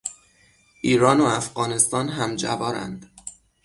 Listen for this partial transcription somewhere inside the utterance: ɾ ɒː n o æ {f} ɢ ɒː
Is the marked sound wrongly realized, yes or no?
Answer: no